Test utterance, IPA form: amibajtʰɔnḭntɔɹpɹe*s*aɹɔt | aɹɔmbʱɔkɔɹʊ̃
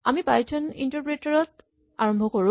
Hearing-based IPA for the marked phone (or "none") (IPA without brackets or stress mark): t